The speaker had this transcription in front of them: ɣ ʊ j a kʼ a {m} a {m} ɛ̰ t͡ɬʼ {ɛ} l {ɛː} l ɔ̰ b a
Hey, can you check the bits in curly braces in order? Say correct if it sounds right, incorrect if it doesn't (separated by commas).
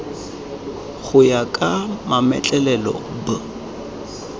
correct, correct, correct, incorrect